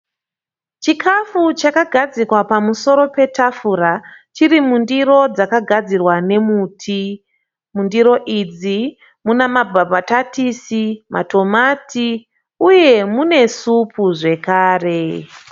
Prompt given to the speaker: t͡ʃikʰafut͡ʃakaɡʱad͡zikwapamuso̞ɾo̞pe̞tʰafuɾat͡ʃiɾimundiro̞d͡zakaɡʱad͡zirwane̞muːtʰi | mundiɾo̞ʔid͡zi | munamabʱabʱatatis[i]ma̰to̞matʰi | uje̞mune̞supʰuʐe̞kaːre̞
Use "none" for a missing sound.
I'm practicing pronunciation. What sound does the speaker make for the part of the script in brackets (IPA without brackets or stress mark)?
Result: i